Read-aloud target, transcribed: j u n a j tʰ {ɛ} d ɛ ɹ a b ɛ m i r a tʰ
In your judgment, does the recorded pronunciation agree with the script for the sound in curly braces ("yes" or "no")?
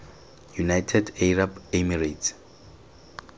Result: yes